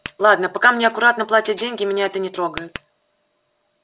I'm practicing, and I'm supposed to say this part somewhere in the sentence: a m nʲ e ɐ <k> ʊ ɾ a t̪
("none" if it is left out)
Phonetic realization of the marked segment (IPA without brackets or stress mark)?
k